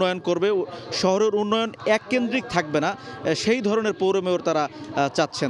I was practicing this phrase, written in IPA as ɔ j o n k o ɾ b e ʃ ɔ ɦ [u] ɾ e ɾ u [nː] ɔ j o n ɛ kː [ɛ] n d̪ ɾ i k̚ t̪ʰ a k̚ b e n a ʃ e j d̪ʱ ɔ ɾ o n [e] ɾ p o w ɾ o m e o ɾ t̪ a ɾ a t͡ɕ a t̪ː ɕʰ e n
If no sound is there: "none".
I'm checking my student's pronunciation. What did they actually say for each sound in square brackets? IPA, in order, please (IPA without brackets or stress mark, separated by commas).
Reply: o, nː, e, e